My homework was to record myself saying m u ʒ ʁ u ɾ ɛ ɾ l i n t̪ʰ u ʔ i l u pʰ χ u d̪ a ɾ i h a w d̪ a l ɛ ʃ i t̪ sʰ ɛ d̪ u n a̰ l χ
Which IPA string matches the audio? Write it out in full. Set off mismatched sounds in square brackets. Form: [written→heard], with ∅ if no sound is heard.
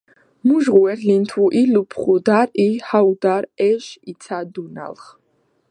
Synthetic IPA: m u ʒ ʁ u [ɾ→∅] ɛ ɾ l i n t̪ʰ u ʔ i l u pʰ χ u d̪ a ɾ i h a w d̪ a [l→ɾ] ɛ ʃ i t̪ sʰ [ɛ→a] d̪ u n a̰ l χ